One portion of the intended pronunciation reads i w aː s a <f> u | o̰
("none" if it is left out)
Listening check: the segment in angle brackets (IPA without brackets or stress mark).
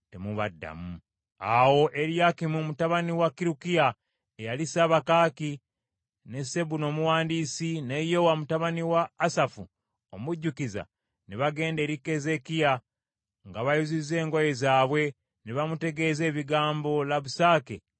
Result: f